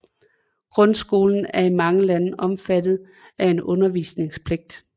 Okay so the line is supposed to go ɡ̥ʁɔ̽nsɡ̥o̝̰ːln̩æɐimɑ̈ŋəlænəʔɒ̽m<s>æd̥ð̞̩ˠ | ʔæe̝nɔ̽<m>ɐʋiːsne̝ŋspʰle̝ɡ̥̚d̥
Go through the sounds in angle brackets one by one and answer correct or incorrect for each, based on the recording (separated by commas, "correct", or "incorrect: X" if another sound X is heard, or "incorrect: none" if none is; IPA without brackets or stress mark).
incorrect: f, incorrect: n